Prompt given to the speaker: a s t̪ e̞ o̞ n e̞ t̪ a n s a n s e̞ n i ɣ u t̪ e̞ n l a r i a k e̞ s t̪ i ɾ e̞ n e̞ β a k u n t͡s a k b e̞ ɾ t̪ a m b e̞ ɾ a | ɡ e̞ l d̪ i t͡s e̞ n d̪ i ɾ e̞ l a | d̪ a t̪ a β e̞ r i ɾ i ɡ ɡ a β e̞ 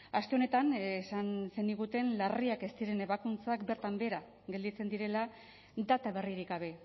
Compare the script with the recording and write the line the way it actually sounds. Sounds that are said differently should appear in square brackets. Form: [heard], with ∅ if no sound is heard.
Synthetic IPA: a s t̪ e̞ o̞ n e̞ t̪ a n s a n s e̞ n i ɣ u t̪ e̞ n l a r i a k e̞ s t̪ i ɾ e̞ n e̞ β a k u n t͡s a k b e̞ ɾ t̪ a m b e̞ ɾ a | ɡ e̞ l d̪ i t͡s e̞ n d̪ i ɾ e̞ l a | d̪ a t̪ a β e̞ r i ɾ i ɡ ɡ a β e̞